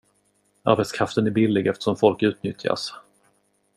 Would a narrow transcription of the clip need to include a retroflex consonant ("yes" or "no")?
yes